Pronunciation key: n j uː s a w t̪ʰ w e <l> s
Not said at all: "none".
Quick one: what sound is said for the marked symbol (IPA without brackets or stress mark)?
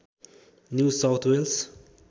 l